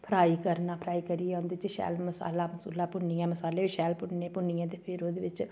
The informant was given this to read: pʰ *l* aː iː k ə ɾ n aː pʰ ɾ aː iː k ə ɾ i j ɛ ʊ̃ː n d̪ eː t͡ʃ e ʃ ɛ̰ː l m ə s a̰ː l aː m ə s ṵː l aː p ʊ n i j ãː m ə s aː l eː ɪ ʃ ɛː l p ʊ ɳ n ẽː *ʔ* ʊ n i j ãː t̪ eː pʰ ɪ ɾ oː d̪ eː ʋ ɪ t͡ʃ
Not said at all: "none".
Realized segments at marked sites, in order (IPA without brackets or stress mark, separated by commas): ɾ, p